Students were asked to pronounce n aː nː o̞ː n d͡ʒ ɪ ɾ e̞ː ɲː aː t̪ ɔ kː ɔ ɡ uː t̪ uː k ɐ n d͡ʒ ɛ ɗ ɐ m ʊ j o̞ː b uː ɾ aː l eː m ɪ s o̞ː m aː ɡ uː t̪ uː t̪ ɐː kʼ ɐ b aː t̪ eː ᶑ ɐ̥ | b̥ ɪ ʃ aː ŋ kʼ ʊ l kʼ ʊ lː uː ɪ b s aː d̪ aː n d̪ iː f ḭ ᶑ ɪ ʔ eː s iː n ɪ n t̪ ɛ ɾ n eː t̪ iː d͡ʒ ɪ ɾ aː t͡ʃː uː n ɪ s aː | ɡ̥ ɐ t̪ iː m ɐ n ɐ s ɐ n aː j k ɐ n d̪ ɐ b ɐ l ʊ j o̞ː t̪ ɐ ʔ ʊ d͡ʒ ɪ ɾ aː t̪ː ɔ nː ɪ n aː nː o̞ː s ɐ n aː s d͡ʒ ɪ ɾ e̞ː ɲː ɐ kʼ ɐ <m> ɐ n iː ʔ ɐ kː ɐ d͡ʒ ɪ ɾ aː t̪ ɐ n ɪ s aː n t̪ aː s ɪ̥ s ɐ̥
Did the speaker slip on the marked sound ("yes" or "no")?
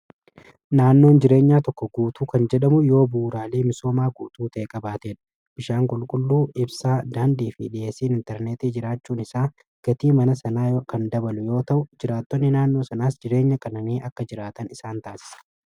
yes